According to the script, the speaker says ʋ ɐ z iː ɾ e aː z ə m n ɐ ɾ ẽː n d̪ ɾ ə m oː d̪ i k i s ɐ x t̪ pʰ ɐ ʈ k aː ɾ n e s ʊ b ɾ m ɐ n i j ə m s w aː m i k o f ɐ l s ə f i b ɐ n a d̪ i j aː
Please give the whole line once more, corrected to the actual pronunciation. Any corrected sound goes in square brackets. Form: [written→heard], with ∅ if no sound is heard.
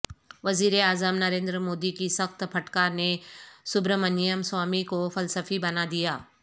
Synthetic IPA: ʋ ɐ z iː ɾ e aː z ə m n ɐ ɾ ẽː n d̪ ɾ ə m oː d̪ i k i s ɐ x t̪ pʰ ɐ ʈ k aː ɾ n e s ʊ b ɾ m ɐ n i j ə m s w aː m i k o f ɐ l s ə f i b ɐ n a d̪ i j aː